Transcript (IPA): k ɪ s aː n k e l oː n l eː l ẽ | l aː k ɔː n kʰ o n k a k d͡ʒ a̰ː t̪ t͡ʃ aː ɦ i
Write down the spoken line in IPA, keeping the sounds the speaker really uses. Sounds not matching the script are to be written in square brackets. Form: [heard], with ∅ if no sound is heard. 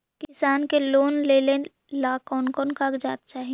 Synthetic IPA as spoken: k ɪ s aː n k e l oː n l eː l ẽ | l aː k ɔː n [k] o n k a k d͡ʒ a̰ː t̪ t͡ʃ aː ɦ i